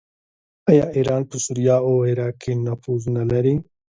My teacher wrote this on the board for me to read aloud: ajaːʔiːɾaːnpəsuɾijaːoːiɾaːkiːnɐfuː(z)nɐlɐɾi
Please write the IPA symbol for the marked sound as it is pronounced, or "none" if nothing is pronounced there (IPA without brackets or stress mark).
z